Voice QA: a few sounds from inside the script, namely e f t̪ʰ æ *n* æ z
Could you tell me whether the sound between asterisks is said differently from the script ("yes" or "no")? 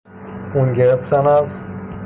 no